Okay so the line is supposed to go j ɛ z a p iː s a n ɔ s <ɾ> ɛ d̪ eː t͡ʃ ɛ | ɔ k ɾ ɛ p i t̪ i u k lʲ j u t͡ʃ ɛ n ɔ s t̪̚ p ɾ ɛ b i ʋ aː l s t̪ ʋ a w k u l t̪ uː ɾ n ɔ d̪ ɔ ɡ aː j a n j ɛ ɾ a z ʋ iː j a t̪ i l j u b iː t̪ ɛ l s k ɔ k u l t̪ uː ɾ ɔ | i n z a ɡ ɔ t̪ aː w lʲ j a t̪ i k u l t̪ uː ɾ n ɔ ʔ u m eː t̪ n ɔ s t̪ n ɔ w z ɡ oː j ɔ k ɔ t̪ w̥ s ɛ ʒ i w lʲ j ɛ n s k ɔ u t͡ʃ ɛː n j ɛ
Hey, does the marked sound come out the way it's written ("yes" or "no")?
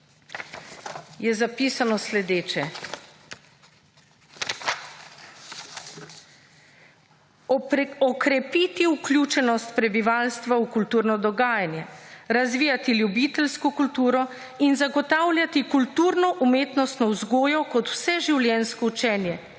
no